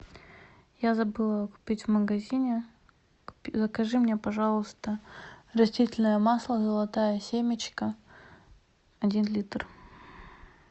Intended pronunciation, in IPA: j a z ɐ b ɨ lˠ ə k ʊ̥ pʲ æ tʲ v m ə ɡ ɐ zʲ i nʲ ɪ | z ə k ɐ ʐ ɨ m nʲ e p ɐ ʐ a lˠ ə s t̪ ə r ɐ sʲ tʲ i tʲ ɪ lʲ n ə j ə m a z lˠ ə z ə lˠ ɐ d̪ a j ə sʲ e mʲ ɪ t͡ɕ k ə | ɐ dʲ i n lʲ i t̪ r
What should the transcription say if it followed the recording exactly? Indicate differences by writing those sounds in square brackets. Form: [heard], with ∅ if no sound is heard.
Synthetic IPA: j a z ɐ b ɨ lˠ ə k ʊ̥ pʲ [i] tʲ v m ə ɡ ɐ zʲ i nʲ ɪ | z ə k ɐ ʐ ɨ m nʲ e p ɐ ʐ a lˠ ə s t̪ ə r ɐ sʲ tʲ i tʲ ɪ lʲ n ə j ə m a [s] lˠ ə z ə lˠ ɐ [t̪] a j ə sʲ e mʲ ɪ t͡ɕ k ə | ɐ dʲ i n lʲ i t̪ r